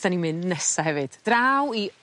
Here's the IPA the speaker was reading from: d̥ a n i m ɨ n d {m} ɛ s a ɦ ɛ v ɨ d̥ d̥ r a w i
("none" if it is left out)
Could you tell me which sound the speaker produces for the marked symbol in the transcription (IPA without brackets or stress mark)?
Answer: n